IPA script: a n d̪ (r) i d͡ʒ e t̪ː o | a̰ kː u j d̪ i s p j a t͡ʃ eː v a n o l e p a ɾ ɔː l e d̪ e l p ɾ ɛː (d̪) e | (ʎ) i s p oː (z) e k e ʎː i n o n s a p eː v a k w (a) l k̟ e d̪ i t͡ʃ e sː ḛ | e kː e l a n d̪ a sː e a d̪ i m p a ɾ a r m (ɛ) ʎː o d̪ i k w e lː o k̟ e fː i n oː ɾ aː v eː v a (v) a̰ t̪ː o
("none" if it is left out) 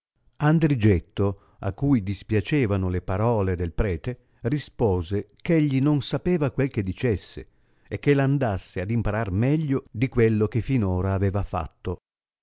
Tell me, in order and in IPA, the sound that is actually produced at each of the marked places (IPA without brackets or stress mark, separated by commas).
ɾ, t̪, r, z, e, ɛ, f